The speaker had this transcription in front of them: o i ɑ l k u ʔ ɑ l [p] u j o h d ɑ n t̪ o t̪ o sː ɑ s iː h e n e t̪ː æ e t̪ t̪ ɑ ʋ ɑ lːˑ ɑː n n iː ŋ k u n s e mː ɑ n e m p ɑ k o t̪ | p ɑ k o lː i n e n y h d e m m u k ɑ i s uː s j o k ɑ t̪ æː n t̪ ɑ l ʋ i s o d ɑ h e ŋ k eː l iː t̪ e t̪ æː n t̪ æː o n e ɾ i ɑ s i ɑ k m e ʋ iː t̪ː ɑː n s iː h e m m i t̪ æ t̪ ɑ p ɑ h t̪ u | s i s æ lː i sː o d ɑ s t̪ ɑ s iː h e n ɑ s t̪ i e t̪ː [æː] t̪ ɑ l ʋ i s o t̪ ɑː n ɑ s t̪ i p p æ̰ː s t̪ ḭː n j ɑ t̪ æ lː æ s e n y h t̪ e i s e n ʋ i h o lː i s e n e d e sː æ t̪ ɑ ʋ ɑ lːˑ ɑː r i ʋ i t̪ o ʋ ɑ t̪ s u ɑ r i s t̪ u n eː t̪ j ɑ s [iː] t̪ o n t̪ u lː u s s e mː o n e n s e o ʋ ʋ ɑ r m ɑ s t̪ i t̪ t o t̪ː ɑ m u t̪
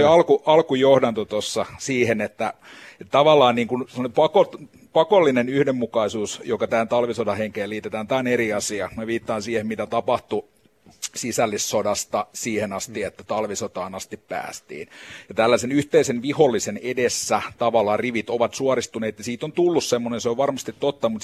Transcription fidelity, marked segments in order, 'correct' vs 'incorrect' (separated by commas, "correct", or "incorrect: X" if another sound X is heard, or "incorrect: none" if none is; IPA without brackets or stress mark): incorrect: k, incorrect: æ, correct